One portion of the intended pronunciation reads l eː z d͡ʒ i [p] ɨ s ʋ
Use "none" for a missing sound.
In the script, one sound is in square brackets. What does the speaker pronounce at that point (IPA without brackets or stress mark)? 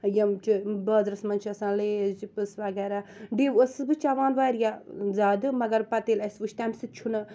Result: p